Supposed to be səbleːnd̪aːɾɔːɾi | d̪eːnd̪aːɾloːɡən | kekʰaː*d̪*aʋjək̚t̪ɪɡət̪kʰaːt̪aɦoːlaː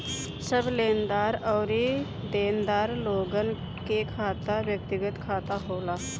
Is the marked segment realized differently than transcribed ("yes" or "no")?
yes